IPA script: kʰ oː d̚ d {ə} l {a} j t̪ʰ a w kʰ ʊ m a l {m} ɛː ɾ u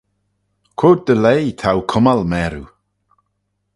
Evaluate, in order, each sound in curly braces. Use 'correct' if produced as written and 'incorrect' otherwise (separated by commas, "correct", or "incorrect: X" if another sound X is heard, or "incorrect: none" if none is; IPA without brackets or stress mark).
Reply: correct, incorrect: e, correct